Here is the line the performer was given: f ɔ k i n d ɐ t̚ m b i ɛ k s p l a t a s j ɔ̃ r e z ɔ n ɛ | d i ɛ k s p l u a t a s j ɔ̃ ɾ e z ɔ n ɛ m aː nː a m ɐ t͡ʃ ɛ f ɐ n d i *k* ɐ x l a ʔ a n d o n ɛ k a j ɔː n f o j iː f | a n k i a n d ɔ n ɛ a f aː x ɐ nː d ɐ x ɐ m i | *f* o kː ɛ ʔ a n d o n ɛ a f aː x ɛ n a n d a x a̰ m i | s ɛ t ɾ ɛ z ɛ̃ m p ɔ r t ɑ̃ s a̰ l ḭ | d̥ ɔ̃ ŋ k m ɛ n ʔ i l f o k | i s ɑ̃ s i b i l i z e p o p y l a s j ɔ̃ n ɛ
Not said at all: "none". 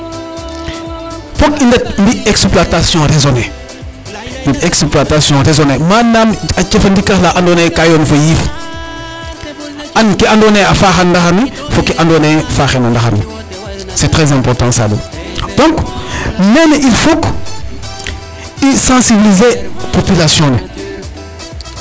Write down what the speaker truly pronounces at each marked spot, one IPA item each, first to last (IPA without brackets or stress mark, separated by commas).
k, f